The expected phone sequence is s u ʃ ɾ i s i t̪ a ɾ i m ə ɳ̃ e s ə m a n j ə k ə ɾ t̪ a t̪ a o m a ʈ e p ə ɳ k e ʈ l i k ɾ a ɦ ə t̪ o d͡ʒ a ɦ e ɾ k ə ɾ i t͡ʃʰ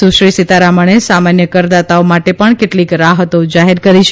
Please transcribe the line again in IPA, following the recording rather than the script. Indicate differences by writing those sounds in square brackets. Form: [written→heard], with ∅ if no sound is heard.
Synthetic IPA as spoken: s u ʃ ɾ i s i t̪ a ɾ [i→a] m ə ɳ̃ e s [ə→a] m a n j ə k ə ɾ [t̪→d̪] a t̪ a o m a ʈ e p ə ɳ k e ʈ l i k ɾ a ɦ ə t̪ o d͡ʒ a ɦ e ɾ k ə ɾ i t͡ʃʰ